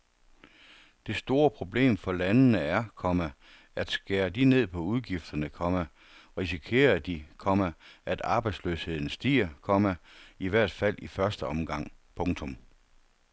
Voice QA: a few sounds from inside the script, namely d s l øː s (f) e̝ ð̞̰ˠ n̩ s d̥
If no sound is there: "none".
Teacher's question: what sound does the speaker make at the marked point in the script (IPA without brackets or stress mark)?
h